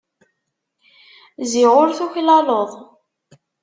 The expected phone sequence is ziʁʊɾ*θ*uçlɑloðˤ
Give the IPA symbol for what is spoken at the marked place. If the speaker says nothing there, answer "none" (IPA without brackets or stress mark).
θ